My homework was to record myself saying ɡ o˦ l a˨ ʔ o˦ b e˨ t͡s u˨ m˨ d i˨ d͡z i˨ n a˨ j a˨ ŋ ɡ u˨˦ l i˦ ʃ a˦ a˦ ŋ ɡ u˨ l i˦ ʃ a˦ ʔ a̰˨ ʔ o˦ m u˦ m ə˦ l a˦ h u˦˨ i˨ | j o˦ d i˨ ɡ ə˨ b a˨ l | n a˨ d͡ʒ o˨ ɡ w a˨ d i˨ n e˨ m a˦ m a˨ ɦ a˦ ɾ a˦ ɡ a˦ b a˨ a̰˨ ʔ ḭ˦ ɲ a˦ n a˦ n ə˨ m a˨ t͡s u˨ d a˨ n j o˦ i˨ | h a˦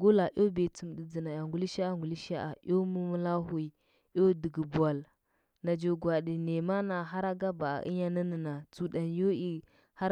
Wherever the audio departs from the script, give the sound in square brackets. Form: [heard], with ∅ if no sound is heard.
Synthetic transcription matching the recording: ɡ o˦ l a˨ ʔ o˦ b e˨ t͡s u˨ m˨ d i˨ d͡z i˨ n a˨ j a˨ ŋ ɡ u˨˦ l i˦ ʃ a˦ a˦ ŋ ɡ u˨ l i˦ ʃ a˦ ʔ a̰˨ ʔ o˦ m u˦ m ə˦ l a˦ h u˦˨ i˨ | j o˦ d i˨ ɡ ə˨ b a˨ l | n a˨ d͡ʒ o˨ ɡ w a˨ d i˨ n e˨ m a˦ [n] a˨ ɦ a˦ ɾ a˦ ɡ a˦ b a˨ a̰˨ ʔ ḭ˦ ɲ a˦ n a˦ n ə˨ [n] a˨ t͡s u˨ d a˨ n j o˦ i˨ | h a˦